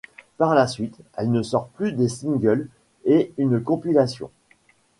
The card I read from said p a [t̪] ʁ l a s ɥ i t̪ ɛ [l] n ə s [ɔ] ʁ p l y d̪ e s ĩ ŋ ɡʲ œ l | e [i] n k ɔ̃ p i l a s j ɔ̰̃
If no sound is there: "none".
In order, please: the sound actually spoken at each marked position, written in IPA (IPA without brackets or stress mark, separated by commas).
none, l, ɔ, y